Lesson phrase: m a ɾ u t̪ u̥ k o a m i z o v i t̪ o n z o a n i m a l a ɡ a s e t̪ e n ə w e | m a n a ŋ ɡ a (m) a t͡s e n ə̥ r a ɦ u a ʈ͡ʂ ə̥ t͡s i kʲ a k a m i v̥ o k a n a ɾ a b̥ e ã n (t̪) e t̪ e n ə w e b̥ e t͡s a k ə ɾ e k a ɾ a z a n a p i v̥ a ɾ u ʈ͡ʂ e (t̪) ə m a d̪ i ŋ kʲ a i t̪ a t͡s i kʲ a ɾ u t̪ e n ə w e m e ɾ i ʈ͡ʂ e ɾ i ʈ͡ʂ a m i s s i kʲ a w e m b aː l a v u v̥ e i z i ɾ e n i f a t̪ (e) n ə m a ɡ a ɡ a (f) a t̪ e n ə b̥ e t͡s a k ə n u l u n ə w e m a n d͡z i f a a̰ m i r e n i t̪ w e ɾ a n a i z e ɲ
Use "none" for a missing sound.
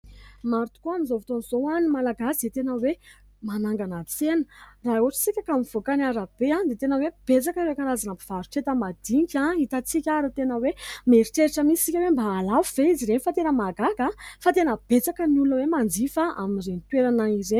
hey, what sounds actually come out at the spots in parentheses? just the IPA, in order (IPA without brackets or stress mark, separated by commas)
n, d̪, t̪, e, f